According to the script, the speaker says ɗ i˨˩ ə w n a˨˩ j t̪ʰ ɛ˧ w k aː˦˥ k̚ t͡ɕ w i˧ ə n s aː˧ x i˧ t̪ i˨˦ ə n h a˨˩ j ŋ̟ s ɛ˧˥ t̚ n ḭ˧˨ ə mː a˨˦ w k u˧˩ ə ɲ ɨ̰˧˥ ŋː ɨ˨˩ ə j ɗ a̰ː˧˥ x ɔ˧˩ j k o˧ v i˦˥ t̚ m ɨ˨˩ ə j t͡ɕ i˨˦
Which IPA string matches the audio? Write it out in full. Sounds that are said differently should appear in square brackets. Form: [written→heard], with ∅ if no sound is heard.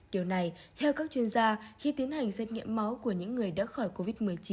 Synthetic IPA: ɗ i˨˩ ə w n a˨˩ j t̪ʰ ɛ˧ w k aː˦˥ k̚ t͡ɕ w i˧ ə n [s→z] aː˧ x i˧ t̪ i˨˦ ə n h a˨˩ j ŋ̟ s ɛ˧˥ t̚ [n→ŋ] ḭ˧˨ ə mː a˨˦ w k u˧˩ ə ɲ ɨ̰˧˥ ŋː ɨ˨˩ ə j ɗ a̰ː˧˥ x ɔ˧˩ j k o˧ v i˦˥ t̚ m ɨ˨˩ ə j t͡ɕ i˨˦